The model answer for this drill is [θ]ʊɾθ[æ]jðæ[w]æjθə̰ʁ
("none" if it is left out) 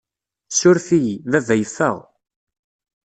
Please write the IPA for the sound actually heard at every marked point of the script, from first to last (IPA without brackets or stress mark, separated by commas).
s, i, v